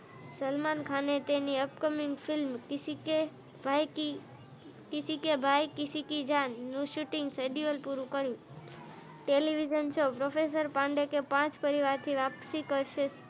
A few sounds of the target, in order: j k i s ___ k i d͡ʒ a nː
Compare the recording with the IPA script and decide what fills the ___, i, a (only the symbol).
i